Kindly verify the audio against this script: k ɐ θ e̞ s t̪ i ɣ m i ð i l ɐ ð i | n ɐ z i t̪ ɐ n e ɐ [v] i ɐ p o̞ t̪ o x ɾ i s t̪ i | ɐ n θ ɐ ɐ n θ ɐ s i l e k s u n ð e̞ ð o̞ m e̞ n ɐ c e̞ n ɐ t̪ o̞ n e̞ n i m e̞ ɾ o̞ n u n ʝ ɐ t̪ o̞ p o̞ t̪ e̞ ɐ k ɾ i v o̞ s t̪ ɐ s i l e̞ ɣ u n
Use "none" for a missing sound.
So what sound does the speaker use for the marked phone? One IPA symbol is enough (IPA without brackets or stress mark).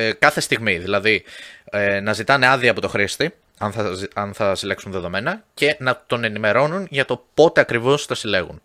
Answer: ð